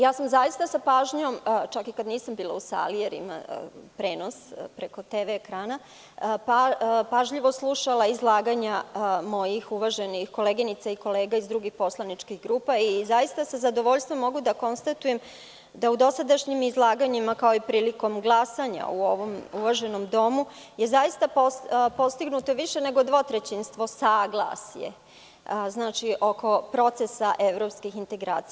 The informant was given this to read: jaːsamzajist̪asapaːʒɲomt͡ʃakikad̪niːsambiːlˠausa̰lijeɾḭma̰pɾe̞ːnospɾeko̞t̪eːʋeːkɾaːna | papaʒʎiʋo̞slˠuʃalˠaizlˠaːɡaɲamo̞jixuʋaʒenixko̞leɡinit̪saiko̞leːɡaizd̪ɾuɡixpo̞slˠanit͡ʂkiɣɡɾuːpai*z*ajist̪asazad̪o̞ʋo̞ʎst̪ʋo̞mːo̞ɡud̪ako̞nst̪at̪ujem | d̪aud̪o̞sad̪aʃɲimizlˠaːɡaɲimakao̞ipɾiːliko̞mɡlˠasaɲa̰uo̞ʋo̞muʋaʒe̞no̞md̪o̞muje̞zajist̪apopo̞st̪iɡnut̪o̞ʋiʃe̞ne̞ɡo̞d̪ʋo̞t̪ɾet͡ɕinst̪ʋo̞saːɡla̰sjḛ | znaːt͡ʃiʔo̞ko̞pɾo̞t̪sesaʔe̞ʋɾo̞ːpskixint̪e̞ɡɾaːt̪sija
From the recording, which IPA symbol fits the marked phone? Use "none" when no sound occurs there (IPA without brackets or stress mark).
z